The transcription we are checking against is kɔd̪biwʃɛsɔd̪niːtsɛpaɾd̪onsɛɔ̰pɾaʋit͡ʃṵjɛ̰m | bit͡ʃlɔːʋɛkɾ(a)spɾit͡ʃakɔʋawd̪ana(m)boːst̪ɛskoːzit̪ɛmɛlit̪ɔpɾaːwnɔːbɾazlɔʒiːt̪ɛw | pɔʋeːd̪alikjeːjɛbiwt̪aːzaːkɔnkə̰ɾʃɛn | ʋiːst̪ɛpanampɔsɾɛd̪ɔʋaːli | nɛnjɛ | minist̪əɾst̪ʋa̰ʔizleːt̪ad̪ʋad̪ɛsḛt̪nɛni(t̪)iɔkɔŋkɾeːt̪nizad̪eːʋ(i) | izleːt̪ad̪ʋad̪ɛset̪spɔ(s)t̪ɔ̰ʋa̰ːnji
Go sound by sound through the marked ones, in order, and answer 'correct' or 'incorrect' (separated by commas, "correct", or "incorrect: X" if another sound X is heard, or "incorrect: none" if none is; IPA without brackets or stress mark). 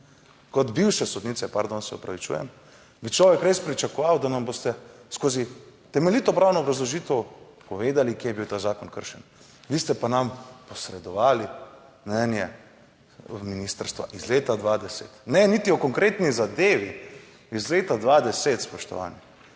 incorrect: e, correct, correct, correct, incorrect: ʃ